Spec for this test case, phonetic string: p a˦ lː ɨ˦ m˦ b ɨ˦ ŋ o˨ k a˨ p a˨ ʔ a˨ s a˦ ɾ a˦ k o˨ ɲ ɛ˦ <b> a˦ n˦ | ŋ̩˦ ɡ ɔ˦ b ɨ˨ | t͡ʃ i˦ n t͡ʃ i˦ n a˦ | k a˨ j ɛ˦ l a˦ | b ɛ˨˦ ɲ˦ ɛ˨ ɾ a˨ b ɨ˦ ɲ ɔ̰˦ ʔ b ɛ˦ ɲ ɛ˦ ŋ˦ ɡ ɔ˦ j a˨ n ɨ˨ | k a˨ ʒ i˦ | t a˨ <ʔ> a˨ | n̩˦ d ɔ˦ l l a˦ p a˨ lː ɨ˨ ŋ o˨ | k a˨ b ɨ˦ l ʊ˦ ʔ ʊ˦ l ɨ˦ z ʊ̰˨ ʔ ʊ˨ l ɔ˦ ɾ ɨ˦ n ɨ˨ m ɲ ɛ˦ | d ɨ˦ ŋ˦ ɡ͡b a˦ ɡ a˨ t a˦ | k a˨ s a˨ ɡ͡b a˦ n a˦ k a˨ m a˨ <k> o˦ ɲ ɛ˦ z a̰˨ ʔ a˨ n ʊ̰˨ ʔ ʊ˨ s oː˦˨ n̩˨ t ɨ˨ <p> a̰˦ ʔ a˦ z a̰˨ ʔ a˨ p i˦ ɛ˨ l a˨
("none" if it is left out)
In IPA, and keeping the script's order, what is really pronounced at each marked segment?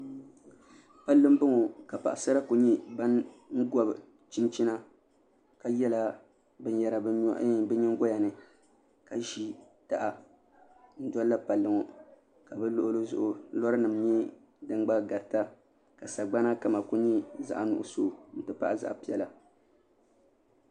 b, ʔ, k, p

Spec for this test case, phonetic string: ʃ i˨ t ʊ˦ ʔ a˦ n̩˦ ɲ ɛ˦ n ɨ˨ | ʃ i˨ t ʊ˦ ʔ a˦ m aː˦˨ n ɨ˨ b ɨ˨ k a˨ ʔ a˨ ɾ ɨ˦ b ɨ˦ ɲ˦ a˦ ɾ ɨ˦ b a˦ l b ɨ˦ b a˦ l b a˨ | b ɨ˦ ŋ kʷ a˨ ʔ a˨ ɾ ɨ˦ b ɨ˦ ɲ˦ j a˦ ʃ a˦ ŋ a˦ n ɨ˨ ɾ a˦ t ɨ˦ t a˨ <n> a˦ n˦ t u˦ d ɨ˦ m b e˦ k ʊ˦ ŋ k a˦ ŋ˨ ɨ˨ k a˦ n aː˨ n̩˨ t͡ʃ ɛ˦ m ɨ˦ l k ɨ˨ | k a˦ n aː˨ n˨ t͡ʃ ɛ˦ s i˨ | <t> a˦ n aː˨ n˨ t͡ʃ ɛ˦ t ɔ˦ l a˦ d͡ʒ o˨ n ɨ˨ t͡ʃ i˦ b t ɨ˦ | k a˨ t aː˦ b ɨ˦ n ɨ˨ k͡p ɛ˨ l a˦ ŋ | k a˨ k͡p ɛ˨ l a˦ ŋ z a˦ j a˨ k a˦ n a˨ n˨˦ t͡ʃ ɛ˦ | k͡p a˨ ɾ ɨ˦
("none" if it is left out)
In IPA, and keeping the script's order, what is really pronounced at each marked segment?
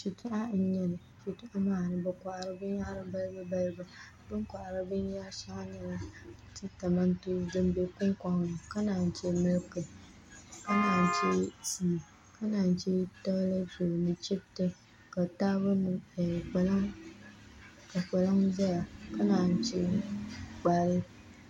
m, k

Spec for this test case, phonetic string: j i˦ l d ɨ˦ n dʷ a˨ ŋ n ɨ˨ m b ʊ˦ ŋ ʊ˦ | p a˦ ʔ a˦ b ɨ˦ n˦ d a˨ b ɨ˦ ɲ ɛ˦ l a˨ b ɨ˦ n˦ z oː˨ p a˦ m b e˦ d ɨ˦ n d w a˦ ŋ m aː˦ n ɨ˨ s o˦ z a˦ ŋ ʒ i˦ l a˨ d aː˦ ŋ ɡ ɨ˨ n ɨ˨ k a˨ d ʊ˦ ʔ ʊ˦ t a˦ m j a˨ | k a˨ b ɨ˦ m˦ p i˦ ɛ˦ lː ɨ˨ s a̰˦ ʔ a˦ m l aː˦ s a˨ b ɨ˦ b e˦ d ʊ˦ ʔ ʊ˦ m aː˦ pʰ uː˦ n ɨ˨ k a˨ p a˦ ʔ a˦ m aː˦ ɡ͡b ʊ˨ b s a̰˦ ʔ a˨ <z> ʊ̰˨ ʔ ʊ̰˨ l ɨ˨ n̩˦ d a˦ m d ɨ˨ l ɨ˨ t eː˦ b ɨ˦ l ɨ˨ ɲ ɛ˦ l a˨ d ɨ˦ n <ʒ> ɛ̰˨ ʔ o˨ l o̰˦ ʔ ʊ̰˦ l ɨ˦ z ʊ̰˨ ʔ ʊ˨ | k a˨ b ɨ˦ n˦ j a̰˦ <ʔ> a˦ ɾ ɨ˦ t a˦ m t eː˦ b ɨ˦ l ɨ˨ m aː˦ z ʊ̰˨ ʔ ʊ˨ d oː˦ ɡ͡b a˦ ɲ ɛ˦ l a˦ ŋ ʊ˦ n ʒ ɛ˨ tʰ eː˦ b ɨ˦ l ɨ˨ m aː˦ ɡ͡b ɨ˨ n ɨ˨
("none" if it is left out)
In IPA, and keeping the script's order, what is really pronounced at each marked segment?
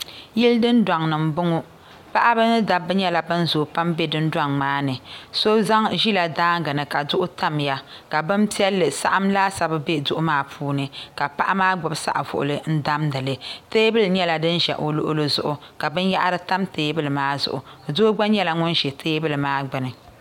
v, ʒ, ʔ

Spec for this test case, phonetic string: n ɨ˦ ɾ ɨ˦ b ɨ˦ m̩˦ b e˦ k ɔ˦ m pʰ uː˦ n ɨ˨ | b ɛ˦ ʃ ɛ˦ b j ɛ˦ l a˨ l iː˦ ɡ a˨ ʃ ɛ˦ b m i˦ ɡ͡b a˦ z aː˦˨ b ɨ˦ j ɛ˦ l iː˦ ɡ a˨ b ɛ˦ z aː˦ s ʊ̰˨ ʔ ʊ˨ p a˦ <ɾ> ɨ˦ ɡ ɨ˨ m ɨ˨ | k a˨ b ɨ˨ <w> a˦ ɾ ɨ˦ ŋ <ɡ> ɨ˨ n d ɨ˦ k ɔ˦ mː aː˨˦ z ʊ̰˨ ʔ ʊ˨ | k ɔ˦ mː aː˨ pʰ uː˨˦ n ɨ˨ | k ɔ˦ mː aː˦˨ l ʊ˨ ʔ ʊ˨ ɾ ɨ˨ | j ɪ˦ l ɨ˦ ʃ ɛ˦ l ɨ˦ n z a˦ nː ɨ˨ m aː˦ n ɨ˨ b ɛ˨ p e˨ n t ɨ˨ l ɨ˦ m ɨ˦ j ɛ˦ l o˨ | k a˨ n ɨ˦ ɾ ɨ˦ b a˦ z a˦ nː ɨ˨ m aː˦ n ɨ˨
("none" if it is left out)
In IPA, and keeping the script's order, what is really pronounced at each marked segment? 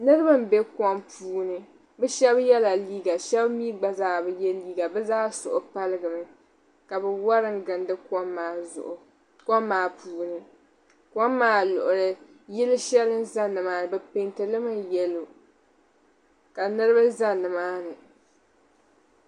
l, w, ɡ

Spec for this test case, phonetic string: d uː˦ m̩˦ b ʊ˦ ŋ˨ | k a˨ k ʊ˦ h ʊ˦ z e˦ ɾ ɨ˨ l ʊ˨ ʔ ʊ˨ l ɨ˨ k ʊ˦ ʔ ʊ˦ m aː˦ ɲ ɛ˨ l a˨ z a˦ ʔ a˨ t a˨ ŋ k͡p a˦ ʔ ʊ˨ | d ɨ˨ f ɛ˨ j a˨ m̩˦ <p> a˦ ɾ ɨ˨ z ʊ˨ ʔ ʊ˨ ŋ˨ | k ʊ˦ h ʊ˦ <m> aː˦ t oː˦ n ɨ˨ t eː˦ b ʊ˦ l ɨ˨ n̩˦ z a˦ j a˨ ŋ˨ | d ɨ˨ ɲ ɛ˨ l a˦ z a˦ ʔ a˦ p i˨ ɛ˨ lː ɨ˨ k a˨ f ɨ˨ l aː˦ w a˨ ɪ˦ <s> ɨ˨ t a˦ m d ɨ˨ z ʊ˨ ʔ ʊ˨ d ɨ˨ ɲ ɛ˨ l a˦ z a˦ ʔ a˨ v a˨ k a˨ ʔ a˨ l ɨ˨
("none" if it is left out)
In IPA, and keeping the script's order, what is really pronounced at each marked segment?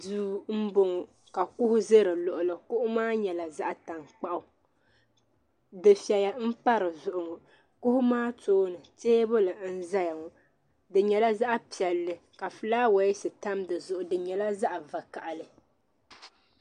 p, m, s

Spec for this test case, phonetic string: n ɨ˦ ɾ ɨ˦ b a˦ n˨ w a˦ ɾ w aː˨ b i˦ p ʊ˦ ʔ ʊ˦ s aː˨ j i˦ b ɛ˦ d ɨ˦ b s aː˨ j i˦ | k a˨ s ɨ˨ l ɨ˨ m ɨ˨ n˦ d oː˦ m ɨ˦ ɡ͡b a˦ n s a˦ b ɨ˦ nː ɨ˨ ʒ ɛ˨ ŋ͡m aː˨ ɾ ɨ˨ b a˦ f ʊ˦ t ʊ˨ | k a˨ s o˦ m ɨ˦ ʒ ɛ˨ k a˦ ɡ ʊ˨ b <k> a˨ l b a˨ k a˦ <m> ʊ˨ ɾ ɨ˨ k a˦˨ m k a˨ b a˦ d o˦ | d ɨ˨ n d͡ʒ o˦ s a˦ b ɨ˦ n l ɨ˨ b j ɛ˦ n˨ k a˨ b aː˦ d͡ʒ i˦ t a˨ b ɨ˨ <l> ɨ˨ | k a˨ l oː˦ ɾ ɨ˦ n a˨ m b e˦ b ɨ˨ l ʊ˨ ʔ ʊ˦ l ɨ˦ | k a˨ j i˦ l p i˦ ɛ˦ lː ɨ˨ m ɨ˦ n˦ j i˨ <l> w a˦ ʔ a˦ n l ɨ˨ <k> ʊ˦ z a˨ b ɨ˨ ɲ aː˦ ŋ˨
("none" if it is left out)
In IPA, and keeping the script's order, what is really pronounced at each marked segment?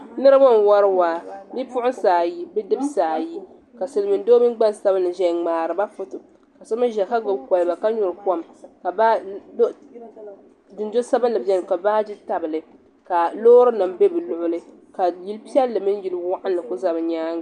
k, ɲ, l, l, k

